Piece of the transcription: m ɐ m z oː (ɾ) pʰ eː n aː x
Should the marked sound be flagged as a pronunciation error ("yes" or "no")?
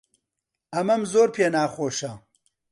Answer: no